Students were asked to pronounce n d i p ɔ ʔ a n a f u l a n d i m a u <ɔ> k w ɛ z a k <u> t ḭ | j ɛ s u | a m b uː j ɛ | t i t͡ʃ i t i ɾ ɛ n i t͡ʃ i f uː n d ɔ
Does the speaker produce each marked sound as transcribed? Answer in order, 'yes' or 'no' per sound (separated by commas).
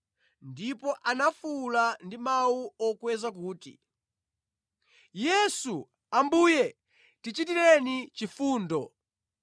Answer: yes, no